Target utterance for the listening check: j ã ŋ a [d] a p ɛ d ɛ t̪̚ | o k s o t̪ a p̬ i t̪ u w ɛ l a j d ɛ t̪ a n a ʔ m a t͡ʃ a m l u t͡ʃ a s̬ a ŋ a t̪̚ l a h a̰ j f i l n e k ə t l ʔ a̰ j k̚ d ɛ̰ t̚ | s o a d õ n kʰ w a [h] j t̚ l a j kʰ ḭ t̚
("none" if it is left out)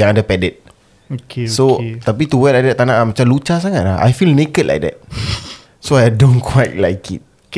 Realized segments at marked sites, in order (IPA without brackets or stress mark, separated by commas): d, none